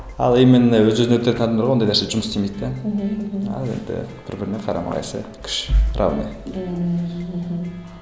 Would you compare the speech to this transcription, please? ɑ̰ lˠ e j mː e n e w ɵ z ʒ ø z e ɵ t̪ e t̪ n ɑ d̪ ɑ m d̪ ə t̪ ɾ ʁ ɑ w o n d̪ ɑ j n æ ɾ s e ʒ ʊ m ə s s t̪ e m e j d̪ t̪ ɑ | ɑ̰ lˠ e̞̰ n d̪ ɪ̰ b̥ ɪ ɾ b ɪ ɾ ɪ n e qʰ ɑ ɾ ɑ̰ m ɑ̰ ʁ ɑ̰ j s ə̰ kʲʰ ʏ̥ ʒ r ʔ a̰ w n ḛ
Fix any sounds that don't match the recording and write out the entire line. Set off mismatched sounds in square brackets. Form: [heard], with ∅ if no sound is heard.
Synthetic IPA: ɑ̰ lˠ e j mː e n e w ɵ z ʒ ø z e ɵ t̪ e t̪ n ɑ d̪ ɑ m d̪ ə [∅] ɾ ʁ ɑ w o n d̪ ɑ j n æ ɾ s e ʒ ʊ m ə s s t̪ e m e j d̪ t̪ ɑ | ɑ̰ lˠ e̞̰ n d̪ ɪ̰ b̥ ɪ ɾ b ɪ ɾ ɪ n e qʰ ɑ ɾ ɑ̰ m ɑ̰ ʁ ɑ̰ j s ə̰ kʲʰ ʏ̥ [ʃ] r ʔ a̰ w n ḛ